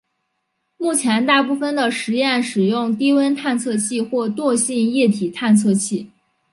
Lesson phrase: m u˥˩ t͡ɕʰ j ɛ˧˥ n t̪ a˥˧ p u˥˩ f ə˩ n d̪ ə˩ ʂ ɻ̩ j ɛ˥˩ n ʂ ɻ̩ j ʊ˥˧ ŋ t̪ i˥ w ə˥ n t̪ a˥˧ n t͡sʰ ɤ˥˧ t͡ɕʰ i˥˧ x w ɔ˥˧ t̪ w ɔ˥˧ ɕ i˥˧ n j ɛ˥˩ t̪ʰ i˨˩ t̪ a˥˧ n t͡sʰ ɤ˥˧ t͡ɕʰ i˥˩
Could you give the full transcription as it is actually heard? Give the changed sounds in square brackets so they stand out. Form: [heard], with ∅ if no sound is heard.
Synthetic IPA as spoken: m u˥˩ t͡ɕʰ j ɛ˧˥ n t̪ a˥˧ p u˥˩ f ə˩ n d̪ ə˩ ʂ ɻ̩ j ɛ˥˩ n ʂ ɻ̩ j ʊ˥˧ ŋ t̪ i˥ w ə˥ n [t̪ʰ] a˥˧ n t͡sʰ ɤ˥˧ t͡ɕʰ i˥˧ x w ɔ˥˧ t̪ w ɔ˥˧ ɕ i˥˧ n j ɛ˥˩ t̪ʰ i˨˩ [t̪ʰ] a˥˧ n t͡sʰ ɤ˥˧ t͡ɕʰ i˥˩